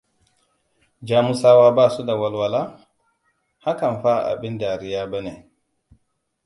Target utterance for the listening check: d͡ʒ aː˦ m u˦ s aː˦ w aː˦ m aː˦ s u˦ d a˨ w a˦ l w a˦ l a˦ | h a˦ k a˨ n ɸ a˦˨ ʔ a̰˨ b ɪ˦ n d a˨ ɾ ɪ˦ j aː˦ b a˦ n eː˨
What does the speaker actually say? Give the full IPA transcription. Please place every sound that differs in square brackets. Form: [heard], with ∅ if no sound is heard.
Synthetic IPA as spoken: d͡ʒ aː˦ m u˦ s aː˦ w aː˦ [b] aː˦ s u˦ d a˨ w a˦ l w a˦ l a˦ | h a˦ k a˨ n ɸ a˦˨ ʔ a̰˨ b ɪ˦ n d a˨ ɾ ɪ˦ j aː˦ b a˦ n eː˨